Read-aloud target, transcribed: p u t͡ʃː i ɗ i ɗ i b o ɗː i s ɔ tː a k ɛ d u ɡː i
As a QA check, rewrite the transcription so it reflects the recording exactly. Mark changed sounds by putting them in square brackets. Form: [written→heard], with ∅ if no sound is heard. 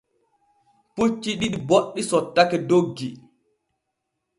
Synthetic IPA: p u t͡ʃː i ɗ i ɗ i b o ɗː i s ɔ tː a k ɛ d [u→o] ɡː i